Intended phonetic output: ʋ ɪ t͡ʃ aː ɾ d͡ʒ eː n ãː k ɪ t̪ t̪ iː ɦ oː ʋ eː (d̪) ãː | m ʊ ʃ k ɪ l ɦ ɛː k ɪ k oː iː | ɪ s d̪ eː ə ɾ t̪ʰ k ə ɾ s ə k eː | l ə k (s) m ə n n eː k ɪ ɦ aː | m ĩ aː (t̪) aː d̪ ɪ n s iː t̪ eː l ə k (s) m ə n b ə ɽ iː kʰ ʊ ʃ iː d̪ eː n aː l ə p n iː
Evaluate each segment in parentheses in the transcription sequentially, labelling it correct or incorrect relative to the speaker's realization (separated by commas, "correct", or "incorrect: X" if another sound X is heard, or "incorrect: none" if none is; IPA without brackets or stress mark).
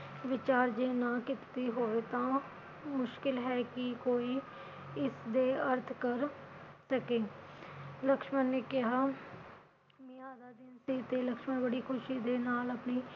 incorrect: t̪, incorrect: ʃ, incorrect: d̪, incorrect: ʃ